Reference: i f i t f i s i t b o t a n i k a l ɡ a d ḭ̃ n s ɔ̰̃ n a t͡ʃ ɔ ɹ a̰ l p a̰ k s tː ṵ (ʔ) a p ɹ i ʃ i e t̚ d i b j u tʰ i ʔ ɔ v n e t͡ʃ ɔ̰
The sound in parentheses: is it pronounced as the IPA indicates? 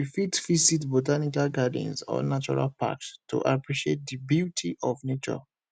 yes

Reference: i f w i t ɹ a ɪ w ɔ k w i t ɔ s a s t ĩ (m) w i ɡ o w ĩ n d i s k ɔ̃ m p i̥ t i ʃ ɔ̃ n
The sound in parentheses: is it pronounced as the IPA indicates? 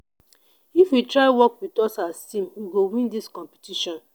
yes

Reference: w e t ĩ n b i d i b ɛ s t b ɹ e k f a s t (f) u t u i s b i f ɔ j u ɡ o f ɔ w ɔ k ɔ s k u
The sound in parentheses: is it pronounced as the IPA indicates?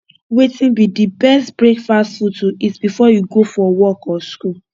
yes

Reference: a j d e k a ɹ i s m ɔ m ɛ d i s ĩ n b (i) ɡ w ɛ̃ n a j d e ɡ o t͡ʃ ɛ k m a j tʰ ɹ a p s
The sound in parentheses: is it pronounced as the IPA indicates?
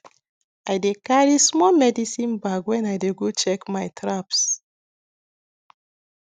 no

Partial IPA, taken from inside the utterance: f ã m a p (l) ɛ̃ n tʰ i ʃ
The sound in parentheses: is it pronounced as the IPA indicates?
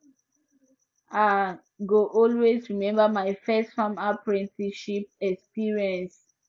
no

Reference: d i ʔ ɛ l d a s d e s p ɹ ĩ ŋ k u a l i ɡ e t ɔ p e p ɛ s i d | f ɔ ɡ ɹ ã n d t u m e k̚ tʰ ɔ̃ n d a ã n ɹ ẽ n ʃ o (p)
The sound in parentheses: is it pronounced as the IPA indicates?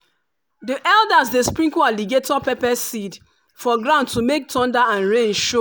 no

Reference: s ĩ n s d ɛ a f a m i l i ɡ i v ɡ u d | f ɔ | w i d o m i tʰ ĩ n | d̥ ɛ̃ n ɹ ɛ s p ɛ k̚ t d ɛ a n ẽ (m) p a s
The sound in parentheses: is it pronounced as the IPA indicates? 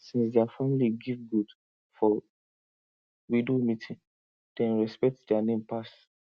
yes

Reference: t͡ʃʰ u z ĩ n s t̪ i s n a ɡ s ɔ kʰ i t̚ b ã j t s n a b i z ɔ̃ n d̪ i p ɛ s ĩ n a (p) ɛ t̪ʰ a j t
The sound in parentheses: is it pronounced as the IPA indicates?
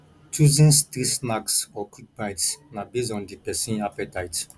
yes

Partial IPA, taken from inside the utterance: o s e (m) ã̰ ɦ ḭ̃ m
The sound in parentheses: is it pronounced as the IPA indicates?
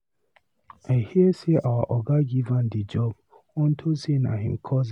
no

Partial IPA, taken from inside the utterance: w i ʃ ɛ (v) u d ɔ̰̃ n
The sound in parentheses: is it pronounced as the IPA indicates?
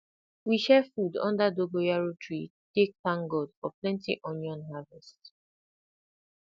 no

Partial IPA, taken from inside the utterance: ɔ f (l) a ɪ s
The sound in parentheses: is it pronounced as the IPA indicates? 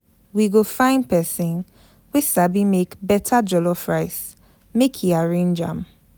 no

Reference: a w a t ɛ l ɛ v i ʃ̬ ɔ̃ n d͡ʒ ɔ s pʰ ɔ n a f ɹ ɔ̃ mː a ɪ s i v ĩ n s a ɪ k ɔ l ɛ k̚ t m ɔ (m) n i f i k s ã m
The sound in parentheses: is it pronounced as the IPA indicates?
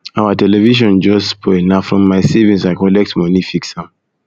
no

